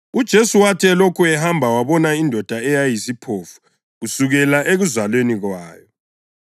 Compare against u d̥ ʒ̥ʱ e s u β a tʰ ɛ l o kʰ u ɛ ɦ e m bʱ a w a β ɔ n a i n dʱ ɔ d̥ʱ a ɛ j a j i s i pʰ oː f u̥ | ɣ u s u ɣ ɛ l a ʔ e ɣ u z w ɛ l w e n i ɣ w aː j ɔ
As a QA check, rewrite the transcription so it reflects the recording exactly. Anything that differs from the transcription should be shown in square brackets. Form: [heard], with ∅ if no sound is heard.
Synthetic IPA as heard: u d̥ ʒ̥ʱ e s u [w] a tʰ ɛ l o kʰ u ɛ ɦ [a] m bʱ a w a β ɔ n a i n dʱ ɔ d̥ʱ a ɛ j a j i s i pʰ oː f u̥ | ɣ u s u ɣ ɛ l a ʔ e ɣ u z w [a] l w e n i ɣ w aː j ɔ

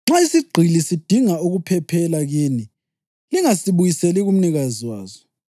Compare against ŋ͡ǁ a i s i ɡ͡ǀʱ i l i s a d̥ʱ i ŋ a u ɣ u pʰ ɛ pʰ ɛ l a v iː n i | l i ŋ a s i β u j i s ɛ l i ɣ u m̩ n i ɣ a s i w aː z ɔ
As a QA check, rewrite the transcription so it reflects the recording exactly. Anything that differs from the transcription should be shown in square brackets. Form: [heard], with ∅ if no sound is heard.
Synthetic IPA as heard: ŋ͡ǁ a i s i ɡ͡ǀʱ i l i s [i] d̥ʱ i ŋ a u ɣ u pʰ ɛ pʰ ɛ l a [ɣ] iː n i | l i ŋ a s i β u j i s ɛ l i ɣ u m̩ n i ɣ a [z] i w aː z ɔ

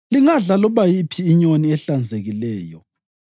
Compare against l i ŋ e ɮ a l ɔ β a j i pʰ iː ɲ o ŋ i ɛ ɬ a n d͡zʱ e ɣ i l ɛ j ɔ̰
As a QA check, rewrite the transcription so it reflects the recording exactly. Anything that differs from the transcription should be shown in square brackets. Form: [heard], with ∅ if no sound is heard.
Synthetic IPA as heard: l i ŋ [a] ɮ a l ɔ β a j i pʰ iː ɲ o [n] i ɛ ɬ a n d͡zʱ e ɣ i l [ɛː] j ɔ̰

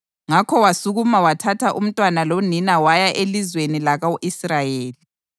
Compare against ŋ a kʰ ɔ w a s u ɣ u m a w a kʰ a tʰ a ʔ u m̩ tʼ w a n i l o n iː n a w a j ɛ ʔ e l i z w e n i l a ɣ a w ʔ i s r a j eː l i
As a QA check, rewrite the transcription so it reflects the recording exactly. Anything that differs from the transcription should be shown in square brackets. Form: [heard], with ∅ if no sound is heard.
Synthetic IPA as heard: ŋ a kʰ ɔ w a s u ɣ u m a w a [tʰ] a tʰ a ʔ u m̩ tʼ w a n [a] l o n [i] n a w a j [a] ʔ e l i z w e n i l a ɣ a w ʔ i s r a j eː l i

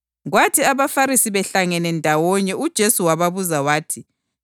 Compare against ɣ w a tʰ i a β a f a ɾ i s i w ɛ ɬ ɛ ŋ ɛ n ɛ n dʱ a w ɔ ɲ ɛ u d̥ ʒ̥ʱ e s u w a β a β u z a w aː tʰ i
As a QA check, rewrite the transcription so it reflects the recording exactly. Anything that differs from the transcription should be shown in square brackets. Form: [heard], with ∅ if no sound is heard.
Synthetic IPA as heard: ɣ w a tʰ i a β a f a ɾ i s i [β] ɛ ɬ [a] ŋ ɛ n ɛ n dʱ a w ɔ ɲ ɛ u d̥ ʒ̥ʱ e s u w a β a β u z a w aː tʰ i

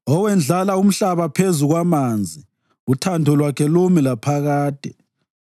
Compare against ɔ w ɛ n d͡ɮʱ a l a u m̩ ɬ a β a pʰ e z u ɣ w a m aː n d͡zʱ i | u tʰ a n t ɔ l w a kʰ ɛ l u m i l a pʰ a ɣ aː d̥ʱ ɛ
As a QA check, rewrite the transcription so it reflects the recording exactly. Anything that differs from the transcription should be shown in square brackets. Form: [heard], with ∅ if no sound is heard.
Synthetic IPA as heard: ɔ w ɛ n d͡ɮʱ a l a u m̩ ɬ a β a pʰ e z u ɣ w a m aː n d͡zʱ i | u tʰ a n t ɔ l w a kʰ ɛ l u m i l a pʰ a ɣ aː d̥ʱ ɛ

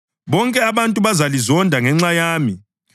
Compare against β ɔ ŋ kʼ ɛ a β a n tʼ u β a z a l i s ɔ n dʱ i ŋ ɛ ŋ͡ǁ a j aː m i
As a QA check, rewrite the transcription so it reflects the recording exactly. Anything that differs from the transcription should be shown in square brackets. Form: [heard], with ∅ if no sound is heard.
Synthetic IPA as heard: β ɔ ŋ kʼ ɛ a β a n tʼ u β a z a l i [z] ɔ n dʱ [a] ŋ ɛ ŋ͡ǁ a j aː m i

